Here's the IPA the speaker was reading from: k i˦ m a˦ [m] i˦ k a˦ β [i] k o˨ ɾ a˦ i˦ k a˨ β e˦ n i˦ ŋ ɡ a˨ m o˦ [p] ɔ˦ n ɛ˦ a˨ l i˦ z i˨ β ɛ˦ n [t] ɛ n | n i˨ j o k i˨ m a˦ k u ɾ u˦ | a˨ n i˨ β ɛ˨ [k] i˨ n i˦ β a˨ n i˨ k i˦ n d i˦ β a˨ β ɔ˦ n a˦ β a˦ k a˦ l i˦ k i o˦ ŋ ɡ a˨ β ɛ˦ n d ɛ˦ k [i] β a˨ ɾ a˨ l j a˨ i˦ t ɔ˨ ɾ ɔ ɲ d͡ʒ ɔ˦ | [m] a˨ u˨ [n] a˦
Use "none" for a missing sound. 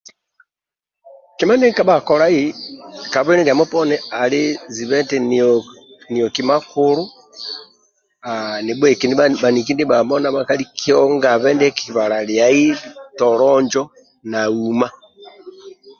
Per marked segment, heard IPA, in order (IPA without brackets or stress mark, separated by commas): n, a, p, t, k, i, n, m